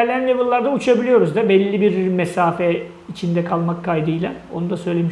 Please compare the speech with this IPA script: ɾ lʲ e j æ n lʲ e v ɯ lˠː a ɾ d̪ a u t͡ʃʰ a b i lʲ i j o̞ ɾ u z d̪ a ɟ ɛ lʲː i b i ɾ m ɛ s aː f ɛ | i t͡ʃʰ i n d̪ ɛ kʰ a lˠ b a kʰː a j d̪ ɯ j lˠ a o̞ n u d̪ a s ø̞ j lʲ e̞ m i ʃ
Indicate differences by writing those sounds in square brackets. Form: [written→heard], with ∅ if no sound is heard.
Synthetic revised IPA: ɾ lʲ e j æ n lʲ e v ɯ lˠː a ɾ d̪ a u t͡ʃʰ a b i lʲ i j o̞ ɾ u z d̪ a [ɟ→b] ɛ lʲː i b i ɾ m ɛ s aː f ɛ | i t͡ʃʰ i n d̪ ɛ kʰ a lˠ [b→m] a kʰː a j d̪ ɯ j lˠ a o̞ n u d̪ a s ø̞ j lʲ e̞ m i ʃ